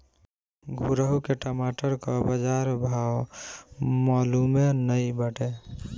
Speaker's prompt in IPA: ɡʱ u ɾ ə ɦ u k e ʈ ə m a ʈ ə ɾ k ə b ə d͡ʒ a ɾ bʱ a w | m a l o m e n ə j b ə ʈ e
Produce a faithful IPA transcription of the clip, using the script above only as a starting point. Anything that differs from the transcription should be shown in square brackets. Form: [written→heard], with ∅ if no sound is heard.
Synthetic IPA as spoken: ɡʱ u ɾ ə ɦ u k e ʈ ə m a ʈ ə ɾ k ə b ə d͡ʒ a ɾ bʱ a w | m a l [o→u] m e n ə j b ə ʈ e